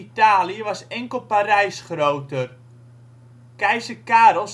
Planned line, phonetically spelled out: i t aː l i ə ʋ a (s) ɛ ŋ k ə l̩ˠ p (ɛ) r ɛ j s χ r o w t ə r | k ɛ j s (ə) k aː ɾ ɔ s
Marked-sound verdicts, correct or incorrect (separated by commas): correct, incorrect, correct